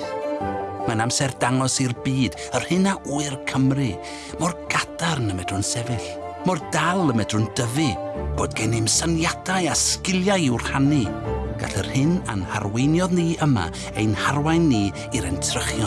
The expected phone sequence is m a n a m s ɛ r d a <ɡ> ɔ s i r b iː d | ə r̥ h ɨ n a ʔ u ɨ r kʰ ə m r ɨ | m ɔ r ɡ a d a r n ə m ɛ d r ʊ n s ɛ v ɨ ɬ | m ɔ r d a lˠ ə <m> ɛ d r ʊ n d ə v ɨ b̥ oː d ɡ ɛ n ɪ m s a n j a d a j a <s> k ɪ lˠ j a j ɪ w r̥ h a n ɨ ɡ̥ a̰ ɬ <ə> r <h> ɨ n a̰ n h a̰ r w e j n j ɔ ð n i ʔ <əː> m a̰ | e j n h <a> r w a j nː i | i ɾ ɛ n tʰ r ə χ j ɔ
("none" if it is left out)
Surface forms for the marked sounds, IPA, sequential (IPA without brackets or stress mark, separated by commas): ŋ, m, s, ə, h, ə, a